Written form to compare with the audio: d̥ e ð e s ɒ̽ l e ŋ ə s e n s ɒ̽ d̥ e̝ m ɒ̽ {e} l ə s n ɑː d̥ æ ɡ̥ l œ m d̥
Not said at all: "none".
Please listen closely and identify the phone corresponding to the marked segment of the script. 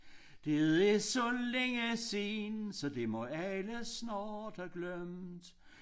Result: æ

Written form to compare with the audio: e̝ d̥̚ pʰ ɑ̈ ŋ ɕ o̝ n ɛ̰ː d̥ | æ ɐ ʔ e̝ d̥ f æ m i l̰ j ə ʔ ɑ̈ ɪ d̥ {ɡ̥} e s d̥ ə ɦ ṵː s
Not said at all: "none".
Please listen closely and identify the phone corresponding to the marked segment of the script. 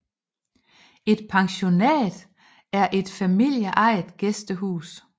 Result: ɡ̥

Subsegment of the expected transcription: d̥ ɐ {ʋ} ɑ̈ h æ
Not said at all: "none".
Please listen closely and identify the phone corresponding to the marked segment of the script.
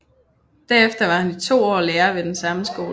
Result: ʋ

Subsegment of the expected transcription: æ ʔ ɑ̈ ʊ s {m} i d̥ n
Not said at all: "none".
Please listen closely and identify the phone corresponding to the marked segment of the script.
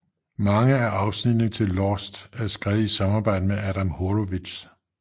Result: n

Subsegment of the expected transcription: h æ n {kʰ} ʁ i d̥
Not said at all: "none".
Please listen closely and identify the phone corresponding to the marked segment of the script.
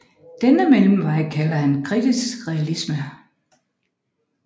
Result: kʰ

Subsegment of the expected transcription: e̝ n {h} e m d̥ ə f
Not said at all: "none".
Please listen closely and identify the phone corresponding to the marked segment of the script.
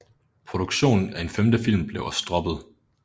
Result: f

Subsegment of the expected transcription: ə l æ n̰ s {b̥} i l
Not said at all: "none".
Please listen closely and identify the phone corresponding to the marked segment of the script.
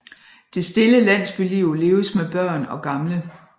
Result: b̥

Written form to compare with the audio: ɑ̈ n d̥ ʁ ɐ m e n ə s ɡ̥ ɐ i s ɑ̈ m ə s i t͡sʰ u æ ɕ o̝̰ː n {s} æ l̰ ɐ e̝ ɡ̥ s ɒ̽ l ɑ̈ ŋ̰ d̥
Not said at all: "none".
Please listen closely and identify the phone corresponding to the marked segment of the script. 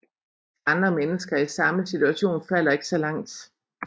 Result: f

